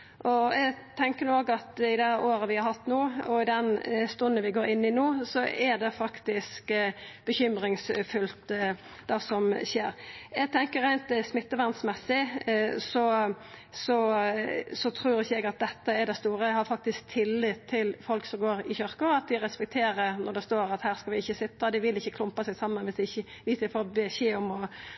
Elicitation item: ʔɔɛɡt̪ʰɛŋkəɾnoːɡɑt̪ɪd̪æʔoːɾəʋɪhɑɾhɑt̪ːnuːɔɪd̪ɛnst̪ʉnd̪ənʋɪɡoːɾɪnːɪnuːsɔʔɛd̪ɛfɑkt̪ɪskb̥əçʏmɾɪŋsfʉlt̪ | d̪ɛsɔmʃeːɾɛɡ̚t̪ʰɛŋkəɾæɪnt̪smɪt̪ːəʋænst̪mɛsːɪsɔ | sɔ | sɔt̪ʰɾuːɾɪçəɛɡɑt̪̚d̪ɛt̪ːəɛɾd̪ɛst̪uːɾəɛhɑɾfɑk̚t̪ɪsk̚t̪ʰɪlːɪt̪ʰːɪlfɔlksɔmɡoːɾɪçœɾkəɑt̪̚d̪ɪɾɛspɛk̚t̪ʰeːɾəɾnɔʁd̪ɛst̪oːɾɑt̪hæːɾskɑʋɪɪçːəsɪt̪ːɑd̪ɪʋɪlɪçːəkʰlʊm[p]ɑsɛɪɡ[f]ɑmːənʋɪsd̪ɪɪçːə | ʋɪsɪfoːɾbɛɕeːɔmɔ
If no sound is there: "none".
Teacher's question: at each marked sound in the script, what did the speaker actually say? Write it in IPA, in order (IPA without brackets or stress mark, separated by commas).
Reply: p, s